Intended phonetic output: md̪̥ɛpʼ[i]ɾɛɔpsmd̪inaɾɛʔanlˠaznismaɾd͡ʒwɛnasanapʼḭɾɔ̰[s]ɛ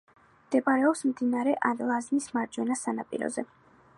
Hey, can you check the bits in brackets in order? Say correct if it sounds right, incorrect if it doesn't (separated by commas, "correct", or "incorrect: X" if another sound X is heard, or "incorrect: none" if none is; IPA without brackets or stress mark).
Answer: incorrect: a, incorrect: z